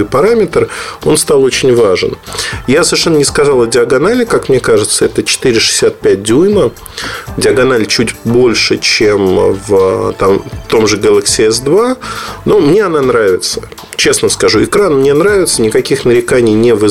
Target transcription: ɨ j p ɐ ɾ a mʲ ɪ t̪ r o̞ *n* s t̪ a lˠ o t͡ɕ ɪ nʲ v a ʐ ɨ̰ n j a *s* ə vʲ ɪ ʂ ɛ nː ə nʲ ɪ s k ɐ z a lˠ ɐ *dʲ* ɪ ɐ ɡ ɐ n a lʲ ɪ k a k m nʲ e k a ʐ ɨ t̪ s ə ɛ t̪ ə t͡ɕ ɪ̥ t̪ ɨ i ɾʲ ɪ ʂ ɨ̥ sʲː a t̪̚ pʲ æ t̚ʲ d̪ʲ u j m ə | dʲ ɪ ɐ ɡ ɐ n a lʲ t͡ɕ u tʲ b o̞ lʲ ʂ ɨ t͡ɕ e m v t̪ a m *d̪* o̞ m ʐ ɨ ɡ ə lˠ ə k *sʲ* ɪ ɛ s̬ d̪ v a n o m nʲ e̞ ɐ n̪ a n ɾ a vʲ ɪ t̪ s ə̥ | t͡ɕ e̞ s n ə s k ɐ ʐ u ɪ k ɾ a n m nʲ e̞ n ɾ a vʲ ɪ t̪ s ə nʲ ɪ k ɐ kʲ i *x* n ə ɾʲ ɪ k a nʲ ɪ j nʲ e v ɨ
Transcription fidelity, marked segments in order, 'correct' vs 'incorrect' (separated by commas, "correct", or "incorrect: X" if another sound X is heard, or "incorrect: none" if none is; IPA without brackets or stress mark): correct, correct, correct, incorrect: t̪, correct, correct